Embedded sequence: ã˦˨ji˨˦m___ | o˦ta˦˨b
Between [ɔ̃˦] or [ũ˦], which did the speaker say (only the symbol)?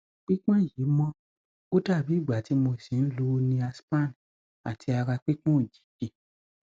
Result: ɔ̃˦